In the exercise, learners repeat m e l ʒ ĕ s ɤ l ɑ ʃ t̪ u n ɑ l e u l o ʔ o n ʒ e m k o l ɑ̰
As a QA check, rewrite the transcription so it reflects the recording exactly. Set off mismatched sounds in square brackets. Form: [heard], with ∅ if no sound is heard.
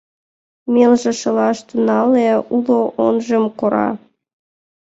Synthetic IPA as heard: m e l ʒ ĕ [ʃ] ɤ l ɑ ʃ t̪ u n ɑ l e u l o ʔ o n ʒ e m k o [ɾ] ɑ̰